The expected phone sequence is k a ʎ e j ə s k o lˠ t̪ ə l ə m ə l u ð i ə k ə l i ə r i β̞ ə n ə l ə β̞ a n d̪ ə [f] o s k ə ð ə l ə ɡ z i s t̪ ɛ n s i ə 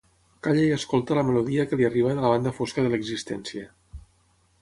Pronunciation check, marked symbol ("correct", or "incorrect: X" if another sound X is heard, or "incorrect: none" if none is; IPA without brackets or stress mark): correct